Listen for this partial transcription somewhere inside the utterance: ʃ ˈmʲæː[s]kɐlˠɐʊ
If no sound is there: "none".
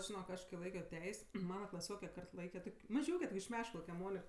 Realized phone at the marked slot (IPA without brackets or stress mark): ʃ